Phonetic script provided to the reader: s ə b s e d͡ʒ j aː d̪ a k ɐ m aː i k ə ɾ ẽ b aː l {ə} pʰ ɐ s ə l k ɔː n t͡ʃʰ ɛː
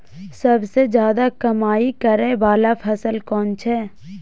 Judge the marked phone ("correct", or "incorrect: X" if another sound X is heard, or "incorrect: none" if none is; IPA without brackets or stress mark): incorrect: a